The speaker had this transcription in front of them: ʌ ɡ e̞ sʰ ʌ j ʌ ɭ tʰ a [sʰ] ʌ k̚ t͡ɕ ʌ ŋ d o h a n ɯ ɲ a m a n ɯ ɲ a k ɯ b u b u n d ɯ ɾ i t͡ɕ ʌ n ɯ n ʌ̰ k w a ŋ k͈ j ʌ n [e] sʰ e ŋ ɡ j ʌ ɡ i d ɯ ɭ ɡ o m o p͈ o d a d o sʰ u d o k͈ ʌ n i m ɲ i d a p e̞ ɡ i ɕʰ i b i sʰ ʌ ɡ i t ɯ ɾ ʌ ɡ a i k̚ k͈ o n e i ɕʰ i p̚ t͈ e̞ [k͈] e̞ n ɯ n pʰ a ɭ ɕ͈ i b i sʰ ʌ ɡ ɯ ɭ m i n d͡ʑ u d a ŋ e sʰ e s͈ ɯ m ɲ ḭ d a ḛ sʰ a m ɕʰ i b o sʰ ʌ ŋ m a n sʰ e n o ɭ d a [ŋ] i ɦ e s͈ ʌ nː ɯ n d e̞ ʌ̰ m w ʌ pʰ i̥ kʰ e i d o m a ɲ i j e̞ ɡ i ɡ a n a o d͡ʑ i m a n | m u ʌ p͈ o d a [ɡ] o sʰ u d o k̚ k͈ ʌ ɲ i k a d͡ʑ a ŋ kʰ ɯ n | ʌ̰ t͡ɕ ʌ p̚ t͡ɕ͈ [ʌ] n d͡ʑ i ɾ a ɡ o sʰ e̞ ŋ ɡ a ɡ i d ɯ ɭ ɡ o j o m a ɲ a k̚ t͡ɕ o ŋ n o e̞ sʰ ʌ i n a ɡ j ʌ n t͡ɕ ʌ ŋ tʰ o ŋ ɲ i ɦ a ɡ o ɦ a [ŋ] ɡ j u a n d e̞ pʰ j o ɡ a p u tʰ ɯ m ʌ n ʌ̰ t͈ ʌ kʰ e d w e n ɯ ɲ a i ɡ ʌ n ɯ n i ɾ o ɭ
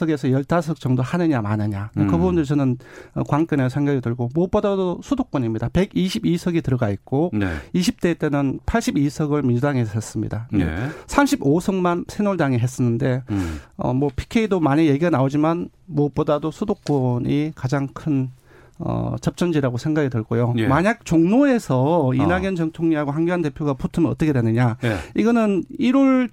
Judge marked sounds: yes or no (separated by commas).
yes, yes, no, yes, no, yes, yes